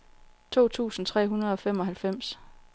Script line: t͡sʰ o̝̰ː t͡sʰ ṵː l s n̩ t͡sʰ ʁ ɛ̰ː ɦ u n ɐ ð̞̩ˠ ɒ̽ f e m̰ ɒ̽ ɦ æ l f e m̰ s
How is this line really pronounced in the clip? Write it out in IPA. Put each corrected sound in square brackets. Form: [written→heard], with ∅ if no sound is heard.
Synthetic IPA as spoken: t͡sʰ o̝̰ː t͡sʰ ṵː [l→∅] s n̩ t͡sʰ ʁ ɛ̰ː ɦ u n ɐ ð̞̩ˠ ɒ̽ f e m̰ ɒ̽ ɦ æ l f e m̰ s